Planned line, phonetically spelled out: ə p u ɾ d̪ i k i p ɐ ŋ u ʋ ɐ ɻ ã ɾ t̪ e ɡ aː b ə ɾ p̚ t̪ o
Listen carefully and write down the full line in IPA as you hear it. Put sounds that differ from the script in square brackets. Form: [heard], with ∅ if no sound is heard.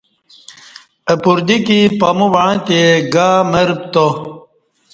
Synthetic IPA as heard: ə p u ɾ d̪ i k i p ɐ [m] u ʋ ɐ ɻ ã [∅] t̪ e ɡ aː [m] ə ɾ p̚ t̪ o